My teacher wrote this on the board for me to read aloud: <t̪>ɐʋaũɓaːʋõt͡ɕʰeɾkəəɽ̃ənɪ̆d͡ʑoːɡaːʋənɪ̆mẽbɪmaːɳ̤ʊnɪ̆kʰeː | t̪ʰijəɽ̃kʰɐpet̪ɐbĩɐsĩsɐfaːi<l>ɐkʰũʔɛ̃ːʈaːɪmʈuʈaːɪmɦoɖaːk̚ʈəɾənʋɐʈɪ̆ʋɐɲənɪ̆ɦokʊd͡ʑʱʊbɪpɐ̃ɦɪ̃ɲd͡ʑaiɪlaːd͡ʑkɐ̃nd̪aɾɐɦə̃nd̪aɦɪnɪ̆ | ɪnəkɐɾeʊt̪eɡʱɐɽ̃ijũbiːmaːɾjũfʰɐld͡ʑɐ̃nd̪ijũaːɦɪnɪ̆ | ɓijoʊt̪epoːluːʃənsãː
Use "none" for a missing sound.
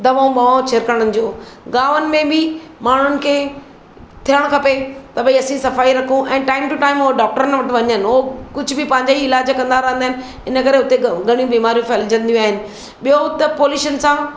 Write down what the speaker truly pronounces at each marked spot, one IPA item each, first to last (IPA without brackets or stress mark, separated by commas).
d̪, ɾ